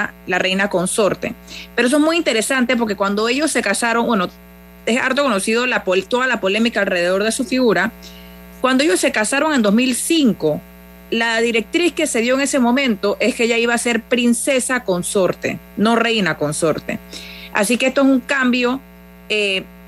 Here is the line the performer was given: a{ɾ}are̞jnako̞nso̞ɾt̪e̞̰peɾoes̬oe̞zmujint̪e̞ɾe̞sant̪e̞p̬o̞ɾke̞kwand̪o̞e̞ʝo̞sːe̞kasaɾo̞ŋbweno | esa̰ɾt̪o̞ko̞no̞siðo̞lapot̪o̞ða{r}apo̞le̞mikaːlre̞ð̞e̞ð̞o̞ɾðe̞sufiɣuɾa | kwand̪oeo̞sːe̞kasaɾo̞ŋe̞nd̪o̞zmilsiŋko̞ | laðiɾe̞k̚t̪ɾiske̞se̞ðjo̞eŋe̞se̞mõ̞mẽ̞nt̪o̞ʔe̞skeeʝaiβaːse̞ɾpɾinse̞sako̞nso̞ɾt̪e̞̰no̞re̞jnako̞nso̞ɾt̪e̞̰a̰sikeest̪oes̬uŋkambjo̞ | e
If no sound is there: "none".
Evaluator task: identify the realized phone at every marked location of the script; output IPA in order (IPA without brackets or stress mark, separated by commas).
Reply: l, l